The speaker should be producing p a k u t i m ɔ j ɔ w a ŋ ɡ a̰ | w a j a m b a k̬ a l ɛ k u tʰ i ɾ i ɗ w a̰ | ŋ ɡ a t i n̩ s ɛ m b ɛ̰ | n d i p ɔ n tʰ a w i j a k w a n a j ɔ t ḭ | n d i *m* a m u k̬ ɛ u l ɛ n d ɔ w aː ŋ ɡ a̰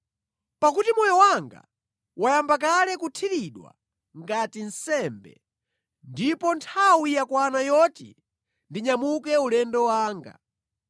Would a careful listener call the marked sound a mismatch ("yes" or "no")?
yes